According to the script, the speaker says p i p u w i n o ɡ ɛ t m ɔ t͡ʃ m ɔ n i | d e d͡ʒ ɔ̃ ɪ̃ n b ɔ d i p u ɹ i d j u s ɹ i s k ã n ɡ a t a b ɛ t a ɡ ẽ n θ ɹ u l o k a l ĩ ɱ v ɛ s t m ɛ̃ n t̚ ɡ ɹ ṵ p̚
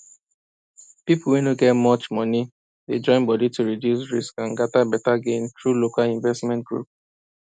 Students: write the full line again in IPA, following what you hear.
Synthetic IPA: p i p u w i n o ɡ ɛ t m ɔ t͡ʃ m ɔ n i | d e d͡ʒ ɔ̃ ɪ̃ n b ɔ d i t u ɹ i d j u s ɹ i s k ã n ɡ a t a b ɛ t a ɡ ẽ n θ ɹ u l o k a l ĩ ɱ v ɛ s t m ɛ̃ n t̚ ɡ ɹ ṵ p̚